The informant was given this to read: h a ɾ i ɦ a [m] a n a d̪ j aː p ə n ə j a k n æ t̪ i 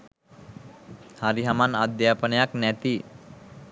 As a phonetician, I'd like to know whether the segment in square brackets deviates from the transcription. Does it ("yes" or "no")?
no